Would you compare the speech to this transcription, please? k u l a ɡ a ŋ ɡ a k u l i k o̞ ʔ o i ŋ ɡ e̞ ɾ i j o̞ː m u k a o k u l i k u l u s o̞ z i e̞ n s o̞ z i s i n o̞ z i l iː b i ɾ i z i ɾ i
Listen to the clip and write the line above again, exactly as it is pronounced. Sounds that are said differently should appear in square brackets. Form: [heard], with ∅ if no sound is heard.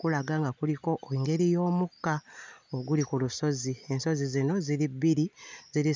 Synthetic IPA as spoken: k u l a ɡ a ŋ ɡ a k u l i k o̞ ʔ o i ŋ ɡ e̞ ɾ i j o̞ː m u k a o [ɡ] u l i k u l u s o̞ z i e̞ n s o̞ z i [z] i n o̞ z i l [i] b i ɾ i z i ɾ i